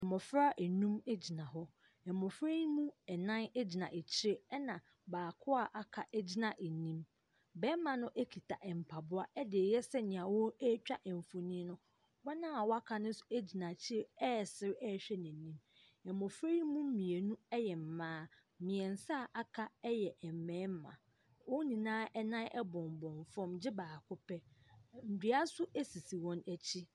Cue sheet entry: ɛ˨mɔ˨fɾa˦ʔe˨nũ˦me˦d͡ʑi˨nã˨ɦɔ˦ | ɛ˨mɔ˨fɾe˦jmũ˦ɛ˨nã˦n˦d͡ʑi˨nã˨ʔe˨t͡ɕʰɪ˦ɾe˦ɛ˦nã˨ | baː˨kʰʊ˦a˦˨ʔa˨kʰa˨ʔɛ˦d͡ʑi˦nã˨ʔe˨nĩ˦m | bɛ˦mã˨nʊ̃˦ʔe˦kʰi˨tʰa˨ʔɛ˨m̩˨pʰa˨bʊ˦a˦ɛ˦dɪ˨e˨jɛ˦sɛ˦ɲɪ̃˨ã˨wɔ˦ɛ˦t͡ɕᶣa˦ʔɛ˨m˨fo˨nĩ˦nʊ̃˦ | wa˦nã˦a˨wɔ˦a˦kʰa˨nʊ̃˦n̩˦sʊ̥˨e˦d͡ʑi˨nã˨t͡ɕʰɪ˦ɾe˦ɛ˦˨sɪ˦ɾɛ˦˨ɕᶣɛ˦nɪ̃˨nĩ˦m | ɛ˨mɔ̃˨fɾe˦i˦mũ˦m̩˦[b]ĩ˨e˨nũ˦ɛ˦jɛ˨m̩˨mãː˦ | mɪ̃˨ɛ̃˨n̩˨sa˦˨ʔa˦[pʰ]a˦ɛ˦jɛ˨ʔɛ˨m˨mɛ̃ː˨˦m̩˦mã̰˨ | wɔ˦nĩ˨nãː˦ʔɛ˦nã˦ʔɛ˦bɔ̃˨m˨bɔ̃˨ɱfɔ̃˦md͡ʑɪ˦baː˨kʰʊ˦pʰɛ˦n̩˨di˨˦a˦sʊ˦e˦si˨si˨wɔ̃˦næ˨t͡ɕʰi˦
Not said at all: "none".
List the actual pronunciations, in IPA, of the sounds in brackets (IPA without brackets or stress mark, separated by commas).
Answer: m, kʰ